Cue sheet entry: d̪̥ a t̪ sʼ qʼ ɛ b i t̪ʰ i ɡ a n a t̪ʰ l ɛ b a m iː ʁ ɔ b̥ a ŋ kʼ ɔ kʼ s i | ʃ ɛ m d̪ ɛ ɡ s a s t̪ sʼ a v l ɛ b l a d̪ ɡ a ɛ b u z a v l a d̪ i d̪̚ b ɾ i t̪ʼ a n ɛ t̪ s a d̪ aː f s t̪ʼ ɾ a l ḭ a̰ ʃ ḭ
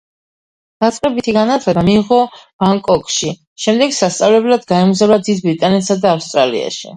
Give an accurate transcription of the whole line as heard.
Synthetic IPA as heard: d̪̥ a t̪ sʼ qʼ ɛ b i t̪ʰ i ɡ a n a t̪ʰ l ɛ b a m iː ʁ ɔ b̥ a ŋ kʼ ɔ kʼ ʃ i | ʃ ɛ m d̪ ɛ ɡ s a s t̪ sʼ a v l ɛ b l a d̪ ɡ a ɛ m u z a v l a d̪ i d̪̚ b ɾ i t̪ʼ a n ɛ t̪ s a d̪ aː f s t̪ʼ ɾ a l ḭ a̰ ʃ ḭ